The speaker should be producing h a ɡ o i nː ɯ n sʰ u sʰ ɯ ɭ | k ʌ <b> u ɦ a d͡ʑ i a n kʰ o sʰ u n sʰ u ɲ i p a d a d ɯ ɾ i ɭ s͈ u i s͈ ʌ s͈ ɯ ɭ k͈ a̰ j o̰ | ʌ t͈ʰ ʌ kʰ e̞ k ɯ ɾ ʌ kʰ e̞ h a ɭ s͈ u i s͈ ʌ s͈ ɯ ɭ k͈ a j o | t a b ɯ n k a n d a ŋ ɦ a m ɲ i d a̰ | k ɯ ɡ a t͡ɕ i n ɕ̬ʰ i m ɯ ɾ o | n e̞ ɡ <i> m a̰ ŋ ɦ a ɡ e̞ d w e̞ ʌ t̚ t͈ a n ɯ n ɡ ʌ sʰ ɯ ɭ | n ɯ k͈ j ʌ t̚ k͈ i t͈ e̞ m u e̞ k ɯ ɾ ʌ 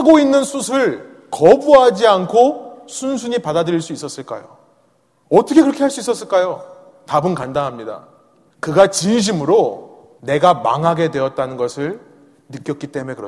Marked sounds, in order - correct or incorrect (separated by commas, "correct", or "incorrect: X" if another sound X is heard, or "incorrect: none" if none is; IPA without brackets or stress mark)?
correct, incorrect: a